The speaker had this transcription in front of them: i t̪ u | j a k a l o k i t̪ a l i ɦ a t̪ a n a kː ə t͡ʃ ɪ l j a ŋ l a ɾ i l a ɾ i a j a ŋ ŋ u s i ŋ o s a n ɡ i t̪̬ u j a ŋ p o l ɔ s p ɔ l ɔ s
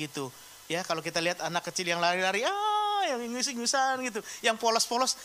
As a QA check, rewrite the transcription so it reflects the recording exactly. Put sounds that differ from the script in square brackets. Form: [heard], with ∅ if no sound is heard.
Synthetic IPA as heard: i t̪ u | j a k a l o k i t̪ a l i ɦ a t̪ a n a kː ə t͡ʃ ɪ l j a ŋ l a ɾ i l a ɾ i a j a ŋ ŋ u s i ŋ [u] s a n ɡ i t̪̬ u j a ŋ p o l ɔ s p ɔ l ɔ s